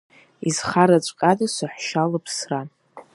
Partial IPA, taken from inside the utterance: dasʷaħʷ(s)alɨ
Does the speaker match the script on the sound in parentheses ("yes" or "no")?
no